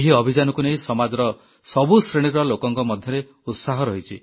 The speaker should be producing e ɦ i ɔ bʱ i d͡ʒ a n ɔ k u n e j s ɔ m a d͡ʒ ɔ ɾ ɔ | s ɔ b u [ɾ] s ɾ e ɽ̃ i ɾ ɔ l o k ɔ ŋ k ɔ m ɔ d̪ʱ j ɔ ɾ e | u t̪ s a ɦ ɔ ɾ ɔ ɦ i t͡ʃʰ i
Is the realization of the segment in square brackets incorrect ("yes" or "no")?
yes